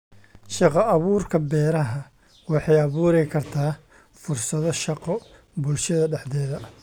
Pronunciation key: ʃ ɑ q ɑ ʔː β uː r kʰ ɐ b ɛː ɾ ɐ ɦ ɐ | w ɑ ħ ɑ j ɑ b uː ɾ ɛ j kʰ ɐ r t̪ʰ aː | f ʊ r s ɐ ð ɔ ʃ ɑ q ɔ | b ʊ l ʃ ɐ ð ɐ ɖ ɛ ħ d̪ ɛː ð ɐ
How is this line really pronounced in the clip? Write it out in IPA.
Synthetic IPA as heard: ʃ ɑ q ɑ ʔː β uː r kʰ ɐ b ɛː ɾ ɐ ɦ ɐ | w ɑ ħ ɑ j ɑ β uː ɾ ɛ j kʰ ɐ r t̪ʰ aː | f ʊ r s ɐ ð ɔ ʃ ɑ q ɔ | b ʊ l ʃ ɐ ð ɐ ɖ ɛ ħ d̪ ɛː ð ɐ